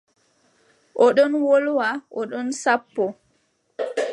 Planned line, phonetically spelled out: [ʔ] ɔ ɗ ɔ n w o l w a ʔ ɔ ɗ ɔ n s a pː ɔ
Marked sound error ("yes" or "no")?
no